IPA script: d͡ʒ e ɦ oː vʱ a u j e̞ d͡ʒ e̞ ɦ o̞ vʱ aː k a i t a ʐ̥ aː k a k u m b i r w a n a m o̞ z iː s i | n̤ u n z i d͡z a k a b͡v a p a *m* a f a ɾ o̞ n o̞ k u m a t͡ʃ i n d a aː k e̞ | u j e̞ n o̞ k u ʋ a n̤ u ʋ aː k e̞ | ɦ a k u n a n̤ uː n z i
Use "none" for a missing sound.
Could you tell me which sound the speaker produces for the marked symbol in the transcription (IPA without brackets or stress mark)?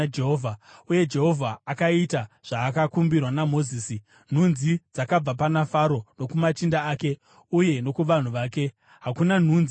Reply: n